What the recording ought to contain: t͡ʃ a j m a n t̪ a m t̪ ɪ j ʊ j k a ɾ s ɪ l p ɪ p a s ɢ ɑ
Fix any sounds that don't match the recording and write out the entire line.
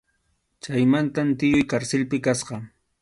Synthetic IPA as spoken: t͡ʃ a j m a n t̪ a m t̪ ɪ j ʊ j k a ɾ s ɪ l p ɪ k a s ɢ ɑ